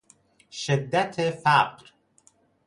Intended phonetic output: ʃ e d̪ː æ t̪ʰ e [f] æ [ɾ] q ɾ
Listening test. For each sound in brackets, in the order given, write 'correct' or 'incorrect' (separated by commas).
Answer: correct, incorrect